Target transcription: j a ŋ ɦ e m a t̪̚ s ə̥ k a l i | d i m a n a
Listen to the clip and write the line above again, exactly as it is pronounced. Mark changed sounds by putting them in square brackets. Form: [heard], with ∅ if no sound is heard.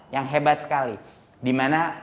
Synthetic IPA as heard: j a ŋ ɦ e [b] a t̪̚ s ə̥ k a l i | d i m a n a